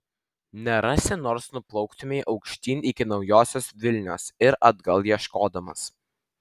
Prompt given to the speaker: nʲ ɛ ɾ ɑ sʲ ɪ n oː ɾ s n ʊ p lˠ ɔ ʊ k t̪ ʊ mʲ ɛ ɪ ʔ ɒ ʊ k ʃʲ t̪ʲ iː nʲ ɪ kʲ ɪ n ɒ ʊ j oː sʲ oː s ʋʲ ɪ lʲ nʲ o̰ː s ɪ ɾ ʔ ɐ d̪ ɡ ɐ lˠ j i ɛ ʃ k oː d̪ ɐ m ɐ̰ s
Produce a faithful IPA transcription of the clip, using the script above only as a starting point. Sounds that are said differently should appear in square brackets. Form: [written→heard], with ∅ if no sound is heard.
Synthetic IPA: nʲ ɛ ɾ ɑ sʲ ɪ n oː ɾ s n ʊ p lˠ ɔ ʊ k t̪ ʊ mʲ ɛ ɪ ʔ ɒ ʊ k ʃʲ t̪ʲ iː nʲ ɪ kʲ ɪ n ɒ ʊ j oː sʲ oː s ʋʲ ɪ lʲ nʲ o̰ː s ɪ ɾ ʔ ɐ d̪ ɡ ɐ lˠ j i ɛ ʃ k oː d̪ ɐ m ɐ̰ s